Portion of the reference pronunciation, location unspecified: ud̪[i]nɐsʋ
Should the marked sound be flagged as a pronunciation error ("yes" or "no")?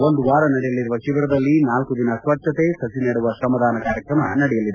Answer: no